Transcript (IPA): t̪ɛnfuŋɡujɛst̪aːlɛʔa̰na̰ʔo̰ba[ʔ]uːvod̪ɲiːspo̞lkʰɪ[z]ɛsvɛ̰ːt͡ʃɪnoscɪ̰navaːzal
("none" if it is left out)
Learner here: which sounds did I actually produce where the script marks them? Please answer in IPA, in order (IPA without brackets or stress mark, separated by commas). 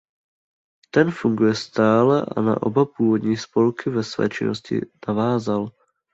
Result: p, v